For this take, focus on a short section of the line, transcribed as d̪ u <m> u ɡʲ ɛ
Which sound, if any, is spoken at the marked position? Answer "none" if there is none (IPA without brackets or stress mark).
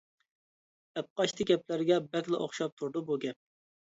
b